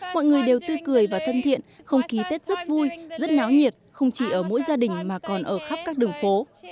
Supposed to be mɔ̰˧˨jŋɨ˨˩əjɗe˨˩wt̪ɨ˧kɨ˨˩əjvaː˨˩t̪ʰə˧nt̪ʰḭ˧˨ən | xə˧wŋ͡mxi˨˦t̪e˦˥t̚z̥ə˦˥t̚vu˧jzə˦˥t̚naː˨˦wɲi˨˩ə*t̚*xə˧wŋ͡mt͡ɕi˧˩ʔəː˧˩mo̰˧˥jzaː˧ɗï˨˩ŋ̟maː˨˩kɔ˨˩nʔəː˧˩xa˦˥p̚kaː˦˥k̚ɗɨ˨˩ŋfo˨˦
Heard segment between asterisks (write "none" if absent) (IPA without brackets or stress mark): t̚